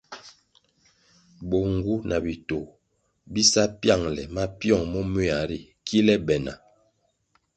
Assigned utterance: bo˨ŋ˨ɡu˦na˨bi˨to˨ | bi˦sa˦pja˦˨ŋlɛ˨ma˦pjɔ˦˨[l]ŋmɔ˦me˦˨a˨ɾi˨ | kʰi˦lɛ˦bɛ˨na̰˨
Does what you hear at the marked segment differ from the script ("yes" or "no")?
yes